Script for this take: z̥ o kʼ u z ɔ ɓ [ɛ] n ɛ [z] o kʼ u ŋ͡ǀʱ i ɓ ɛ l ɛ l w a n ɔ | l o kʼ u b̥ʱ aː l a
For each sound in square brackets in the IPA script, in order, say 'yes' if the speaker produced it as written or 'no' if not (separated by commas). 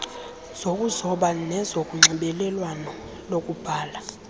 no, yes